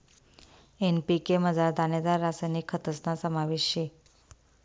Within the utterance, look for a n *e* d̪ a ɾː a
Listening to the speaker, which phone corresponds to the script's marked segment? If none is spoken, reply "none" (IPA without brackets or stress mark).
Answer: e